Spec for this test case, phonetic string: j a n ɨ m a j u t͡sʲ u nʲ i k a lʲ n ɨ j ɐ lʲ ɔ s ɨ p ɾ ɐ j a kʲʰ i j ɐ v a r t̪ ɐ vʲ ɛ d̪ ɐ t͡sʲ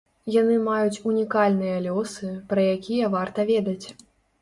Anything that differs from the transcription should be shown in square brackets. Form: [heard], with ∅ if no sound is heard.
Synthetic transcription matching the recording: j a n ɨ m a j u t͡sʲ u nʲ i k a lʲ n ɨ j ɐ lʲ ɔ s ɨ p ɾ ɐ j a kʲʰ i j ɐ v a r t̪ ɐ vʲ ɛ d̪ ɐ t͡sʲ